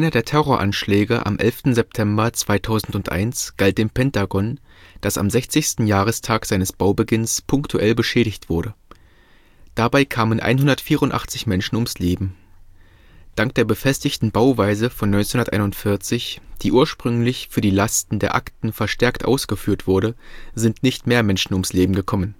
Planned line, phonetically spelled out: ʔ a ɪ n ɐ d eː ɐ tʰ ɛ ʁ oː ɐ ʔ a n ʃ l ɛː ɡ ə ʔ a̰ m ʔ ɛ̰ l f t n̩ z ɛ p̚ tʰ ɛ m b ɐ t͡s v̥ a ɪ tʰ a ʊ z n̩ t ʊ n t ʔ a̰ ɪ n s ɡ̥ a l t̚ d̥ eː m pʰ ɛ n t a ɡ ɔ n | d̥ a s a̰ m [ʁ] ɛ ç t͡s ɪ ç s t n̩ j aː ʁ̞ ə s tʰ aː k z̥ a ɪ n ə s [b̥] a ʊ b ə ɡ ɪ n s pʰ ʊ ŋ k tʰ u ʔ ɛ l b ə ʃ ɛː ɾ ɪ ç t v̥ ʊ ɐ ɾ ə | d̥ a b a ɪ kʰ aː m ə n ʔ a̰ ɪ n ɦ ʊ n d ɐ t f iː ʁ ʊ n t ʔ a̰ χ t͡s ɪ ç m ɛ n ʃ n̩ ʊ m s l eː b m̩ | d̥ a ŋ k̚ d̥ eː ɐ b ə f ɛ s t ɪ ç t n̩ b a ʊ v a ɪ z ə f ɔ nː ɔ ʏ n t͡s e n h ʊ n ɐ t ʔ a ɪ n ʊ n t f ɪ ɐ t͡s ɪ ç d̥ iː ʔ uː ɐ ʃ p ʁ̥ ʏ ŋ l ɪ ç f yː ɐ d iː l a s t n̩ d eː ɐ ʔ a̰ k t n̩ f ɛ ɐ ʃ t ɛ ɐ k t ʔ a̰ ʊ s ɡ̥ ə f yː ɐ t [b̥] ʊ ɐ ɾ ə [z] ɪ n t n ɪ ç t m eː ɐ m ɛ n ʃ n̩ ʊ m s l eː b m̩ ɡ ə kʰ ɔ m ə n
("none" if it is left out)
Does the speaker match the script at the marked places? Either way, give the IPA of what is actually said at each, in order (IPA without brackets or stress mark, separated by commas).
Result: z, b̥, v̥, z